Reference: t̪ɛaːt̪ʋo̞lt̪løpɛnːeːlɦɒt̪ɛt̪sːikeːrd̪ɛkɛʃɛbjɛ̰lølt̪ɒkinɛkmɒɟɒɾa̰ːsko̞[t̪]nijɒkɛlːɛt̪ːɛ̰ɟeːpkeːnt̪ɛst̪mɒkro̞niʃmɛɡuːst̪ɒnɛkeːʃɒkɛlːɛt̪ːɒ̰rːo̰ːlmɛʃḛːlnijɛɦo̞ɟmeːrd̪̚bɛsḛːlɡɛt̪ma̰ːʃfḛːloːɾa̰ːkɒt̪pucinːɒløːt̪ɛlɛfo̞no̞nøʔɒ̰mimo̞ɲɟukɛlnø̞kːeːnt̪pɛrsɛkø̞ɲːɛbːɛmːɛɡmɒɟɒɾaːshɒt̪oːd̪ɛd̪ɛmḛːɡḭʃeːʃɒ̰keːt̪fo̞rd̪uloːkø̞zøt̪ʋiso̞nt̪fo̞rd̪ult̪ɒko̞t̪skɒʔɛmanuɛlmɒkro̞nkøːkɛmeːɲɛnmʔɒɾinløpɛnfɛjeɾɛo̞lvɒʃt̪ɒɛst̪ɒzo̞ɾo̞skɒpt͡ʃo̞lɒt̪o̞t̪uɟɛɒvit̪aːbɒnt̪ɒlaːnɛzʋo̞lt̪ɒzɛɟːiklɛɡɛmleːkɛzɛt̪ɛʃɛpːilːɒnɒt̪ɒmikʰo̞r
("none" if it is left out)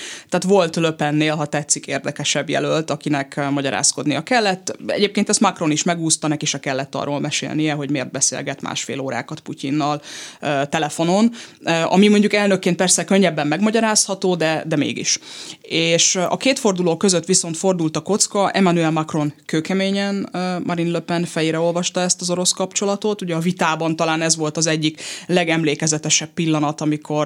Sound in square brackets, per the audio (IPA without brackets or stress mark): d̪